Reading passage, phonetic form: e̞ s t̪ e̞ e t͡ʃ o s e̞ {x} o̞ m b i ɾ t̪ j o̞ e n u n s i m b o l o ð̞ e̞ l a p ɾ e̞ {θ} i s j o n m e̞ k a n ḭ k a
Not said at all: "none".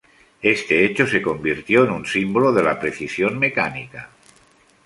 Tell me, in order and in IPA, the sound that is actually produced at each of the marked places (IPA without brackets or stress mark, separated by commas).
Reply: k, θ